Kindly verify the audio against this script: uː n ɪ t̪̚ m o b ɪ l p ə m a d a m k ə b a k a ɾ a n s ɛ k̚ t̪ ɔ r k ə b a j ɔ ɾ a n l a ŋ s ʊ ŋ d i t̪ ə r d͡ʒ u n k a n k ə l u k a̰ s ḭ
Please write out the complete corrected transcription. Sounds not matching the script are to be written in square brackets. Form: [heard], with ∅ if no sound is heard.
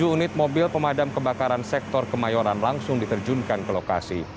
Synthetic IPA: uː n ɪ t̪̚ m o b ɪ l p ə m a d a m k ə b a k a ɾ a n s ɛ k̚ t̪ ɔ r k ə [m] a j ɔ ɾ a n l a ŋ s ʊ ŋ d i t̪ ə r d͡ʒ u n k a n k ə l [o] k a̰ s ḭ